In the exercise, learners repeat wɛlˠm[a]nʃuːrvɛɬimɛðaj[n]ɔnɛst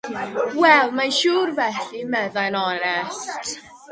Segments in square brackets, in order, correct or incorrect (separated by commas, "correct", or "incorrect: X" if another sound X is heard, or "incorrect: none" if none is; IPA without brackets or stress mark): correct, correct